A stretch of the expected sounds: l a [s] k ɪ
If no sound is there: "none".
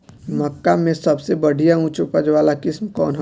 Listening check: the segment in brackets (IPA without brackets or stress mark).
none